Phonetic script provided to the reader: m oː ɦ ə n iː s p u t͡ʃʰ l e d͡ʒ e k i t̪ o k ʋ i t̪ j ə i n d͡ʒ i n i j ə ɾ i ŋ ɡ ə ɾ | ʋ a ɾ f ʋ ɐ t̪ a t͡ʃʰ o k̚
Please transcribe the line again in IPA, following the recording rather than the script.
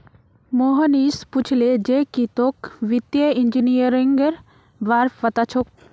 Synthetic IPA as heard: m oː ɦ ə n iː s p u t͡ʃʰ l e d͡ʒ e k i t̪ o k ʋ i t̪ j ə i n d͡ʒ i n i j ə ɾ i ŋ ɡ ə ɾ | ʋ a ɾ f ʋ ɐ t̪ a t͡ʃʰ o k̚